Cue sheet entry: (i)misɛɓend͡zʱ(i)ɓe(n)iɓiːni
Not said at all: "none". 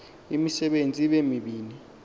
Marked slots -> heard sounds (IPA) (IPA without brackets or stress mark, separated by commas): i, i, m